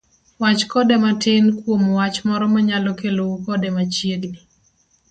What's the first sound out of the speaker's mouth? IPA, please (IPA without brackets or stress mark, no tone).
w